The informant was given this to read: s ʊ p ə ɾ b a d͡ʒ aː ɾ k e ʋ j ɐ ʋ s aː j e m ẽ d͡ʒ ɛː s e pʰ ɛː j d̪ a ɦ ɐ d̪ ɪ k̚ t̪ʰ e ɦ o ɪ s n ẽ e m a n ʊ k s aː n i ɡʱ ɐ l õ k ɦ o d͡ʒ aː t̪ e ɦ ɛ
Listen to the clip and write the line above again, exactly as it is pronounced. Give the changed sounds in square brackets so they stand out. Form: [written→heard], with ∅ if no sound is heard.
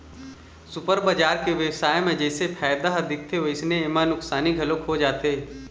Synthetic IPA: s ʊ p ə ɾ b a d͡ʒ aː ɾ k e ʋ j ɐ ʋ s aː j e m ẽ d͡ʒ ɛː s e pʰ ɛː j d̪ a ɦ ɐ d̪ ɪ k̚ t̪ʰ e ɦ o ɪ s n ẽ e m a n ʊ k s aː n i ɡʱ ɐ l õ k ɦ o d͡ʒ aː t̪ e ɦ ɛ